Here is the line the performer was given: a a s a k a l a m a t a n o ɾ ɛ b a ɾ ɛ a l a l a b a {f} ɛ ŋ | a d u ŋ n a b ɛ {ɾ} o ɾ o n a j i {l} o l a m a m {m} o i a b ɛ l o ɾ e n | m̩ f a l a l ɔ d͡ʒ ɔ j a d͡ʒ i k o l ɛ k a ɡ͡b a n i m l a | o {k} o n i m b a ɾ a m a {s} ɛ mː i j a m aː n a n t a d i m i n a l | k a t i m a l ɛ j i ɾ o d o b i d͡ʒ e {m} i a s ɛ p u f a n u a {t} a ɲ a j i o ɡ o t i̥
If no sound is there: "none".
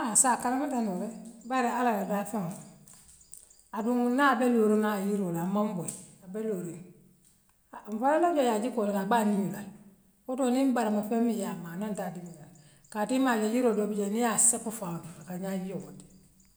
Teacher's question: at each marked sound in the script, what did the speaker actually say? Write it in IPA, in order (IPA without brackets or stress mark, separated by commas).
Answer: f, l, ɾ, b, t, f, n, k